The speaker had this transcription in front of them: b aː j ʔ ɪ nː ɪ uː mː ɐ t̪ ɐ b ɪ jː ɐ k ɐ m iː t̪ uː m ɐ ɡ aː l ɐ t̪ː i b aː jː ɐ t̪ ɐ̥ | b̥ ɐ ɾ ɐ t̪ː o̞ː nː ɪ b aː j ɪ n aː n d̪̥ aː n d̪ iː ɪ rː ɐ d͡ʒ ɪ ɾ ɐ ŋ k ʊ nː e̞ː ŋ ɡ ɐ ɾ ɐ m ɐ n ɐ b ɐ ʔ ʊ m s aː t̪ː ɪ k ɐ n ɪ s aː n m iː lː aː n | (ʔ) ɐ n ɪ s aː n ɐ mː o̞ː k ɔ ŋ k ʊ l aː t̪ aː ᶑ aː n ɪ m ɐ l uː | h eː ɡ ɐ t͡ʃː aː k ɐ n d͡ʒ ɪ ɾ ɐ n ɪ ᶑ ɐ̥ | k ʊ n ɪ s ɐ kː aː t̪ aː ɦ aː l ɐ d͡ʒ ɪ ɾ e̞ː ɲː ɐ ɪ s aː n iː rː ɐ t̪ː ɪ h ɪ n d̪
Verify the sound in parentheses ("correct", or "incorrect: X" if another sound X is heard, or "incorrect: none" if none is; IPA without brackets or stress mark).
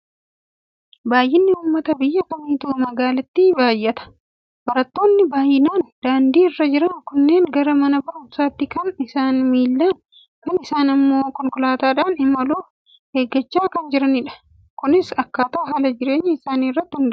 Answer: incorrect: k